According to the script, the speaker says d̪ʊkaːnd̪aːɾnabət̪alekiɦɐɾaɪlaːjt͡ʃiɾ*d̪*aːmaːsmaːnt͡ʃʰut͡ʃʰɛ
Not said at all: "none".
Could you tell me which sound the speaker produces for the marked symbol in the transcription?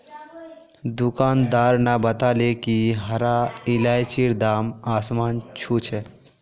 d̪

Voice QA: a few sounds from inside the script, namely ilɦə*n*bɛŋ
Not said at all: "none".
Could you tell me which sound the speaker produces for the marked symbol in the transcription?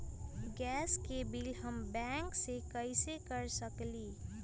m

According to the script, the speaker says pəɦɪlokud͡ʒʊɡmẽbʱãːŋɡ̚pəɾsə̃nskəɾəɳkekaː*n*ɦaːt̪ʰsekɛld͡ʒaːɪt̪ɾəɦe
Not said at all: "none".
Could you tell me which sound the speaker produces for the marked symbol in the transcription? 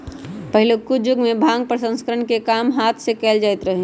m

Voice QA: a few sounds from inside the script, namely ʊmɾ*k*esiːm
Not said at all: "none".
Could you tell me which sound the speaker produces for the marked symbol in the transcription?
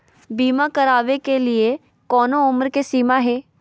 k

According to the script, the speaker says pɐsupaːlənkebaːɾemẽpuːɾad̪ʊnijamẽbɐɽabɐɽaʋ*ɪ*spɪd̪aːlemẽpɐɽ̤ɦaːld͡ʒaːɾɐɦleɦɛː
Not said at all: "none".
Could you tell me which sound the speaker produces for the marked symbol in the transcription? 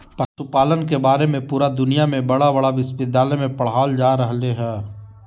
ɪ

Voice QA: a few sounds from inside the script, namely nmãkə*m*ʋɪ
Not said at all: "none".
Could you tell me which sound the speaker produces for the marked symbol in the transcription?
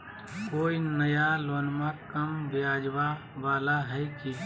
m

